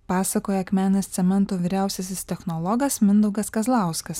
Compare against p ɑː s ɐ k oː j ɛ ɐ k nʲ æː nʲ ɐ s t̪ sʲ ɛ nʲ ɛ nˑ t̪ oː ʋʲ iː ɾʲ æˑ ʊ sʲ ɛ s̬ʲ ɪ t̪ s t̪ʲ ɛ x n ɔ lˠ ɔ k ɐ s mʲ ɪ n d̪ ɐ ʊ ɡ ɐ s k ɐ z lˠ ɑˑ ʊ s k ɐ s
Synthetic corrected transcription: p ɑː s ɐ k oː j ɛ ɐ k mʲ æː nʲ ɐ s t̪ sʲ ɛ mʲ ɛ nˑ t̪ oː ʋʲ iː ɾʲ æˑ ʊ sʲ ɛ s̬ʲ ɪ s t̪ʲ ɛ x n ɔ lˠ ɔ ɡ ɐ s mʲ ɪ n d̪ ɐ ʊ ɡ ɐ s k ɐ z lˠ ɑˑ ʊ s k ɐ s